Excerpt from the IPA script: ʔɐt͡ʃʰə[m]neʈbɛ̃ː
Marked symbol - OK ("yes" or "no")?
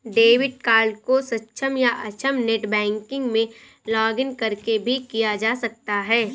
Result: yes